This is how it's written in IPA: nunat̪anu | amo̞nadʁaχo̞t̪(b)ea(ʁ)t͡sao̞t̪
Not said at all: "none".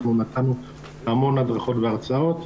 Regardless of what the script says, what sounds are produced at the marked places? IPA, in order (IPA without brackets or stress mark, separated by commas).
v, ʁ